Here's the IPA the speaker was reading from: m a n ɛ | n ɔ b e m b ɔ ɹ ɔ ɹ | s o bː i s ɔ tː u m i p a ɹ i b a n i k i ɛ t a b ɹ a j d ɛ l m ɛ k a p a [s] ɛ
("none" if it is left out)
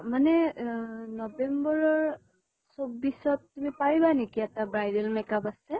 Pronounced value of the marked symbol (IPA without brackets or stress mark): s